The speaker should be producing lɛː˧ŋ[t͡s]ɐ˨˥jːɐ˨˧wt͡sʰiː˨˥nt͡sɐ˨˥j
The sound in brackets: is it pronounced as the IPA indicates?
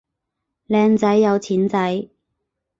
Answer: yes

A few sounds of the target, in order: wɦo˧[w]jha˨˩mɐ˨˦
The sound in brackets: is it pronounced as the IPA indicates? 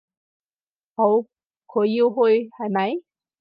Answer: no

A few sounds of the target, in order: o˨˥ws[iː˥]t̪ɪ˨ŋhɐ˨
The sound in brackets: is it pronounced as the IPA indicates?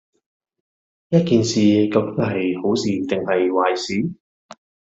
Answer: no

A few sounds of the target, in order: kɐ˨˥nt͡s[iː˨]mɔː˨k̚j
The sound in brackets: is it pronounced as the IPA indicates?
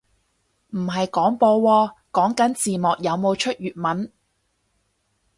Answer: yes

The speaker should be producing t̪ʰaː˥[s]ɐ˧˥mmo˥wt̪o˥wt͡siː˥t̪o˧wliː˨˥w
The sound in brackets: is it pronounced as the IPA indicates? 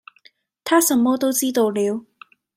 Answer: yes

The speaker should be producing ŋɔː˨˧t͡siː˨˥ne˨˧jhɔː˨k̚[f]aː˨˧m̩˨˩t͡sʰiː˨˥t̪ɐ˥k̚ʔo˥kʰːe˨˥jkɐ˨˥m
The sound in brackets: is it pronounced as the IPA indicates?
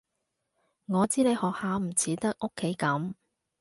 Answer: no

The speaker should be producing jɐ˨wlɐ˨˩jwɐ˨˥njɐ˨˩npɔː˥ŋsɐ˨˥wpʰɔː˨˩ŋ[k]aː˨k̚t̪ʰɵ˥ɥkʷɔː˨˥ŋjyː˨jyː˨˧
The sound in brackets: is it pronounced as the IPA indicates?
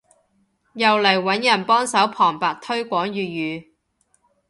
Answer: no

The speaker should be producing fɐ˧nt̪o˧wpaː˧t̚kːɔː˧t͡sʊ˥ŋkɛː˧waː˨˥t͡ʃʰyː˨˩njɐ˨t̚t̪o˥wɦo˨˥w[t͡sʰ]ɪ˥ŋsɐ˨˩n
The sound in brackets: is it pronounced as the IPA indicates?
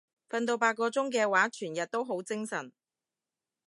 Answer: no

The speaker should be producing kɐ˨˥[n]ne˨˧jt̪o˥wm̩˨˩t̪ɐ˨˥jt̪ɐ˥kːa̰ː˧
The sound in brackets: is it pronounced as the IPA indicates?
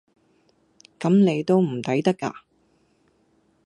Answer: no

